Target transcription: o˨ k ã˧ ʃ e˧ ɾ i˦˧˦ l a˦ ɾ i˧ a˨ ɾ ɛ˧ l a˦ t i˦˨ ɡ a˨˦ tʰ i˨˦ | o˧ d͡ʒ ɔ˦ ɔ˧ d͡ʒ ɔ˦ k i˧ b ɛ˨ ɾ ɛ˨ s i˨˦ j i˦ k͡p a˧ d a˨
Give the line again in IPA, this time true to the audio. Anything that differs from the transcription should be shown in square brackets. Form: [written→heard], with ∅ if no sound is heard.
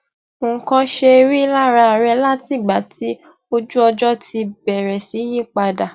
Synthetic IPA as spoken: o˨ k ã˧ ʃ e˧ ɾ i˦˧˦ l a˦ ɾ [i˧→a˧] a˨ ɾ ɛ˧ l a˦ t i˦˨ [ɡ→ɡ͡b] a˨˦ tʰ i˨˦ | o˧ d͡ʒ [ɔ˦→u˦] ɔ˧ d͡ʒ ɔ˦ [k→t] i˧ b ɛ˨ ɾ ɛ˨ s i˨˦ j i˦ k͡p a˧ d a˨